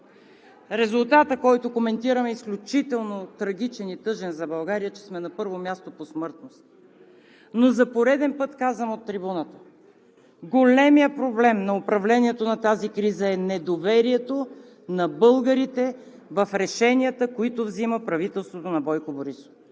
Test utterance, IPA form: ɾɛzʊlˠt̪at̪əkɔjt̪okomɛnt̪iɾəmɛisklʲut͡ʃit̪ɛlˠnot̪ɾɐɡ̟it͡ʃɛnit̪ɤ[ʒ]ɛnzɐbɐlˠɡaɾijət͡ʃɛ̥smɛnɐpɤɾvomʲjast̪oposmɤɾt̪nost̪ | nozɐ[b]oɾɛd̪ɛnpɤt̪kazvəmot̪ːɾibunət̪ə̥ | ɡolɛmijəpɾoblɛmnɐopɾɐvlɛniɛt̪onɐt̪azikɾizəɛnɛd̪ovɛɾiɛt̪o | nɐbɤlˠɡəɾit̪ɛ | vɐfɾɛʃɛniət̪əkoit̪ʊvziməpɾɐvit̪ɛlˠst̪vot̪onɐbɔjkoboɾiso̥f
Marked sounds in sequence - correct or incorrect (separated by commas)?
correct, incorrect